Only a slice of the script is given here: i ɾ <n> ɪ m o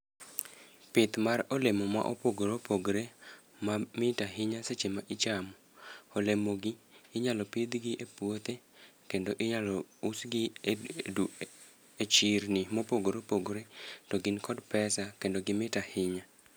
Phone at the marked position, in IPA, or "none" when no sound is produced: n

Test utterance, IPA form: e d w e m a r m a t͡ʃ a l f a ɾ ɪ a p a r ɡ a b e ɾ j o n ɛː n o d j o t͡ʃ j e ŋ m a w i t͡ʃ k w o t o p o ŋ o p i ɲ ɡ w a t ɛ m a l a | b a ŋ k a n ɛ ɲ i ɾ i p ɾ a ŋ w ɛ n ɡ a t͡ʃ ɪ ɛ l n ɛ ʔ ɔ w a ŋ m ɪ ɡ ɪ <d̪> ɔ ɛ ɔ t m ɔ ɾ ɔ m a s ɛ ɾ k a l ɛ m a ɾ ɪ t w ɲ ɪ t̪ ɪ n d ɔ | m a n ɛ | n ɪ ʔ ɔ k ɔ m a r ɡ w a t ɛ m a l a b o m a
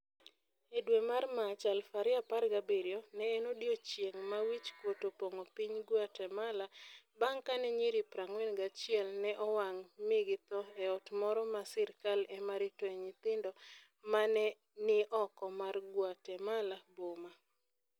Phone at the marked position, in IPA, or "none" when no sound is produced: t̪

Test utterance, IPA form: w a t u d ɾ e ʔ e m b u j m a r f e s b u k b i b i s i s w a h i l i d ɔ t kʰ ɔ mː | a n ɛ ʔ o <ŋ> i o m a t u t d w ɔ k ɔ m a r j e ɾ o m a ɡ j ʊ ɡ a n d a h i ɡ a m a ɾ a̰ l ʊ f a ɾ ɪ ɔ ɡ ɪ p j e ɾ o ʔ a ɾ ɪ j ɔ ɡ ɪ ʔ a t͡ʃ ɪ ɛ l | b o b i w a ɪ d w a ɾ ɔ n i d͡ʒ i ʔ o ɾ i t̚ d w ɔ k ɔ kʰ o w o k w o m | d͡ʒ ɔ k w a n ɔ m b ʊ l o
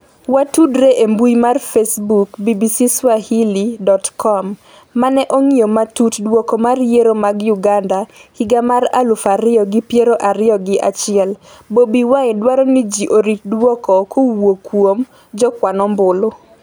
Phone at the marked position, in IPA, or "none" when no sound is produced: ŋ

